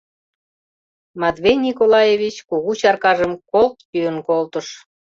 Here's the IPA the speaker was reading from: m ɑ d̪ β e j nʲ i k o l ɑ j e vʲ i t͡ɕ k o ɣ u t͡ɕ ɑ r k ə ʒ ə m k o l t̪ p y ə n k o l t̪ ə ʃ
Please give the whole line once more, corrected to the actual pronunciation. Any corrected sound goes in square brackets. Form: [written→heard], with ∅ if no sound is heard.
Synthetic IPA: m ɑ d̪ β e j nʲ i k o l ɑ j e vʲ i t͡ɕ k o ɣ u t͡ɕ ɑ r k [ə→ɑ] ʒ ə m k o l t̪ p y ə n k o l t̪ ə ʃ